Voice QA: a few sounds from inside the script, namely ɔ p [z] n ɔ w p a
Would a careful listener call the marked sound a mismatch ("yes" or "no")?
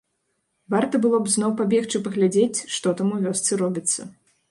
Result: no